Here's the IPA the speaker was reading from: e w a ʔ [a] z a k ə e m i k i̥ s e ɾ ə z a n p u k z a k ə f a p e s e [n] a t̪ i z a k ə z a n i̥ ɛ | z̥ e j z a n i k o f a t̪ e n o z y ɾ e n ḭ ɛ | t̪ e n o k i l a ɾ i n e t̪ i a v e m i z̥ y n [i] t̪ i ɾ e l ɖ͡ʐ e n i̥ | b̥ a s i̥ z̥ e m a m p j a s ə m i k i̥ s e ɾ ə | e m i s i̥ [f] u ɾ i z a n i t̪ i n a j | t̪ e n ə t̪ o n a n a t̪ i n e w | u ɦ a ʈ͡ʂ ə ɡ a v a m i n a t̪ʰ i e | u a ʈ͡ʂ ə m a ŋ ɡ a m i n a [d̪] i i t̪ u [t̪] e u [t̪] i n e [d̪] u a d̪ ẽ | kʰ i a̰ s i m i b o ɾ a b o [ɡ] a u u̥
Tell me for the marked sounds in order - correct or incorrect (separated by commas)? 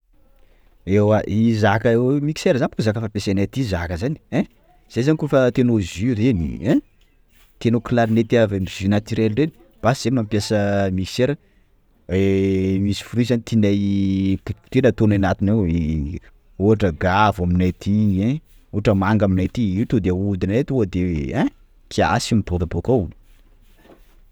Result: incorrect, correct, incorrect, correct, incorrect, incorrect, incorrect, incorrect, incorrect